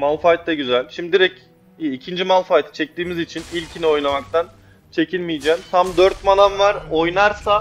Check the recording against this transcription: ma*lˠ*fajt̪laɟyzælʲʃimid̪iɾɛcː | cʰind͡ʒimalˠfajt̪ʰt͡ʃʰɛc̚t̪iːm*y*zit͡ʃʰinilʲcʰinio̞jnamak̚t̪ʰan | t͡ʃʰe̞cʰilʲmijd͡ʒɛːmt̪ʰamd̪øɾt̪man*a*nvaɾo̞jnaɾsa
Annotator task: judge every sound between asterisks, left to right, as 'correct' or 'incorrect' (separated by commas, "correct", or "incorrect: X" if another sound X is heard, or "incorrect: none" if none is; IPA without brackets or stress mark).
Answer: correct, incorrect: i, correct